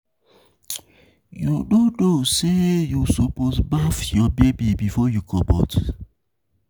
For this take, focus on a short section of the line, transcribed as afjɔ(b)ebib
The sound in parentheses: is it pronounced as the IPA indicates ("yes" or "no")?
yes